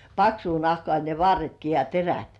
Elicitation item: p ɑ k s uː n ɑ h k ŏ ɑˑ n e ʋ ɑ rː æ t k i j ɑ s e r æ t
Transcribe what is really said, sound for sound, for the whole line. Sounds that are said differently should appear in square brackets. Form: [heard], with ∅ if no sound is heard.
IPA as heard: p ɑ k s uː n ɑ h k ŏ ɑˑ n e ʋ ɑ rː [e] t k i j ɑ [t] e r æ t